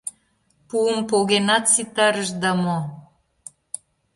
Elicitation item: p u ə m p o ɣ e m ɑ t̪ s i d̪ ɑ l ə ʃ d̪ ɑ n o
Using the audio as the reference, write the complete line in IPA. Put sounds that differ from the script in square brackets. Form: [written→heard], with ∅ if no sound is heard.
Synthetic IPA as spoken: p u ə m p o ɣ e [m→n] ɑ t̪ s i [d̪→t̪] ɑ [l→ɾ] ə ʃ d̪ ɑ [n→m] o